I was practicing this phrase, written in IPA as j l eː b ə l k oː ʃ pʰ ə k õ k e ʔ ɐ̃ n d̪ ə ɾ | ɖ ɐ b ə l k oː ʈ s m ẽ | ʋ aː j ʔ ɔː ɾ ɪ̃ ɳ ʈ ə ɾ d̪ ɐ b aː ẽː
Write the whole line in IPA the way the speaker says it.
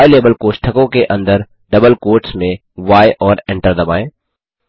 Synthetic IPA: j l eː b ə l k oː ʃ ʈʰ ə k õ k e ʔ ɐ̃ n d̪ ə ɾ | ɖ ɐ b ə l k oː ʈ s m ẽ | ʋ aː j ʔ ɔː ɾ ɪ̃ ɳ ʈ ə ɾ d̪ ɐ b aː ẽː